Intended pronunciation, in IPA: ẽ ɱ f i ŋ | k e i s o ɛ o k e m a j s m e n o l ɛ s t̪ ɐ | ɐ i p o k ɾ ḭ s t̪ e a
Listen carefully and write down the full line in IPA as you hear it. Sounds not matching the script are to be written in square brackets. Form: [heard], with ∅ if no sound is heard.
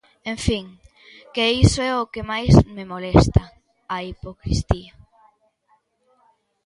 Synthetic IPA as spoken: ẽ ɱ f i ŋ | k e i s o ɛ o k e m a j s m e [m] o l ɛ s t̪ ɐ | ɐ i p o k ɾ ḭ s t̪ [i] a